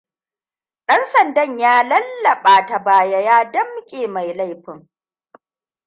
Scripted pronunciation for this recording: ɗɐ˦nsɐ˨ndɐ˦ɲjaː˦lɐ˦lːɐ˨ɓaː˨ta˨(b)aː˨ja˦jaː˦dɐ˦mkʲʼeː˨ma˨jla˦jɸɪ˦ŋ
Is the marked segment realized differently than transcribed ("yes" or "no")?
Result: no